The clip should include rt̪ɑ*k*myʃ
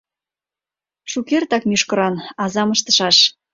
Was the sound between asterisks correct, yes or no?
yes